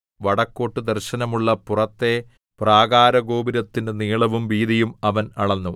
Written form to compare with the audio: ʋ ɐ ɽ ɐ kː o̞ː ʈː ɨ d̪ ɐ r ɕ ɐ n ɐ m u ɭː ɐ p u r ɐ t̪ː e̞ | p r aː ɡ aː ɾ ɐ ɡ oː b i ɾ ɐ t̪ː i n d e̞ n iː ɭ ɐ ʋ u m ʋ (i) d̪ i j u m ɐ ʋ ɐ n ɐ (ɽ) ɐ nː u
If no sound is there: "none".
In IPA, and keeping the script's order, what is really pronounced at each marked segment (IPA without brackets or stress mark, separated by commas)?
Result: iː, ɭ